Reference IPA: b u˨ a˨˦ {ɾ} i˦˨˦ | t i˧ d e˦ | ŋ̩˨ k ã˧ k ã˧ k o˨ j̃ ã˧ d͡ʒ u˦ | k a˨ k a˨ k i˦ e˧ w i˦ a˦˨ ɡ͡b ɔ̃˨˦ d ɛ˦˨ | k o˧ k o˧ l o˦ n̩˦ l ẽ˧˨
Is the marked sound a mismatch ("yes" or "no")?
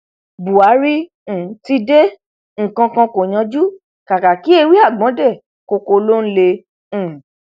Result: no